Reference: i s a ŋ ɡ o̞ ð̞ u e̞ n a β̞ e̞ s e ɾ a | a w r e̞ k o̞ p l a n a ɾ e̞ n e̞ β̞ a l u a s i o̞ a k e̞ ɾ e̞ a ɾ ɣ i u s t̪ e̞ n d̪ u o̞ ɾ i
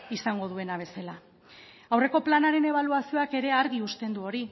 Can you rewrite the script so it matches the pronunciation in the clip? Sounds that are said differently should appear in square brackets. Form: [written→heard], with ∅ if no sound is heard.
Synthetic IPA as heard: i s a ŋ ɡ o̞ ð̞ u e̞ n a β̞ e̞ s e [ɾ→l] a | a w r e̞ k o̞ p l a n a ɾ e̞ n e̞ β̞ a l u a s i o̞ a k e̞ ɾ e̞ a ɾ ɣ i u s t̪ e̞ n d̪ u o̞ ɾ i